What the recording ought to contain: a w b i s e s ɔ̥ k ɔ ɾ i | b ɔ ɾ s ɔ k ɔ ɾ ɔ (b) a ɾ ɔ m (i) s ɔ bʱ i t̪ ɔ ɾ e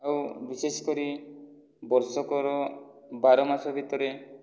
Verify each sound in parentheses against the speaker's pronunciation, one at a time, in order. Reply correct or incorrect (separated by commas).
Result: correct, incorrect